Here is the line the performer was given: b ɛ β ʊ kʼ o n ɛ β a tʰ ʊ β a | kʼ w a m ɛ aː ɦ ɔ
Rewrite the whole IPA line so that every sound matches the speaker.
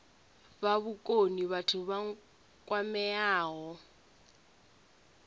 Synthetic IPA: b a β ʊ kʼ o n i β a tʰ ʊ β a | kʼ w a m ɛ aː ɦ ɔ